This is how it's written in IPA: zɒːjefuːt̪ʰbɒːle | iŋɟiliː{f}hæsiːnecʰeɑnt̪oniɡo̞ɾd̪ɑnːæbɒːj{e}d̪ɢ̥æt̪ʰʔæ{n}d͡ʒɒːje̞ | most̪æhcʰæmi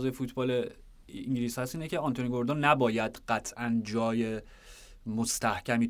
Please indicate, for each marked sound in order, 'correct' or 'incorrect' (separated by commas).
incorrect, incorrect, correct